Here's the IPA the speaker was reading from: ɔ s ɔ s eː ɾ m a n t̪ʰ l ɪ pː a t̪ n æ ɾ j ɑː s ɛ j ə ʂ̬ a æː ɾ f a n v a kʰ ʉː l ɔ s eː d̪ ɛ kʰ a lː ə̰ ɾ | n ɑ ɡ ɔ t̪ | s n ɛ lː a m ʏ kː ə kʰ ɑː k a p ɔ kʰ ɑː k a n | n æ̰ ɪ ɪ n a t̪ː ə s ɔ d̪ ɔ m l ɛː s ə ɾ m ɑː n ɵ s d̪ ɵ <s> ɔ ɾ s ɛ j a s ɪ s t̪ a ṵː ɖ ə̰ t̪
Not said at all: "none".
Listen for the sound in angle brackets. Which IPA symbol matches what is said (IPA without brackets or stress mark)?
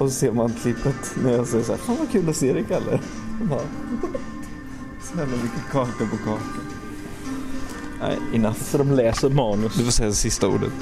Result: f